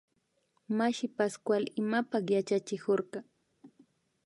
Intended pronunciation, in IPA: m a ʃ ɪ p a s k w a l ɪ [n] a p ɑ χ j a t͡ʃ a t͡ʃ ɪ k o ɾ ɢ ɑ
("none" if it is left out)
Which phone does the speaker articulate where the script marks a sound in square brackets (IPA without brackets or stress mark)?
m